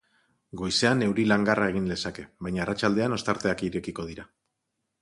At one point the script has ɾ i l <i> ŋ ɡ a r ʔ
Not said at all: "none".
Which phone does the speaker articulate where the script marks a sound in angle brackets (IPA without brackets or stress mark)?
a